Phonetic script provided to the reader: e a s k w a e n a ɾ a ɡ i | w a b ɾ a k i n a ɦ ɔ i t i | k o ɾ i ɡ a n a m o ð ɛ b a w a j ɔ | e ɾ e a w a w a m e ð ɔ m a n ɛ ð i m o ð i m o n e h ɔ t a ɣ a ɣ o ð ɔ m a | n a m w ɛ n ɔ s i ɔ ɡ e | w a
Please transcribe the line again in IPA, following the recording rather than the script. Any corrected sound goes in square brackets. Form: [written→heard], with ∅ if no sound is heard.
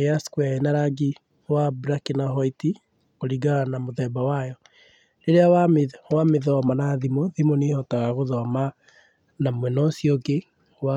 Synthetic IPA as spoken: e a s k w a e n a ɾ a ɡ i | w a b ɾ a k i n a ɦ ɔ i t i | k o ɾ i ɡ a n a m o ð ɛ b a w a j ɔ | e ɾ e a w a w a m e ð ɔ m a n [ɛ→a] ð i m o ð i m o n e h ɔ t a ɣ a ɣ o ð ɔ m a | n a m w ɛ n ɔ s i ɔ ɡ e | w a